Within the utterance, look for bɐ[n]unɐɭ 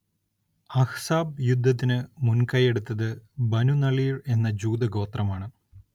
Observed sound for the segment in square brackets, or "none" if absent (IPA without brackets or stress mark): n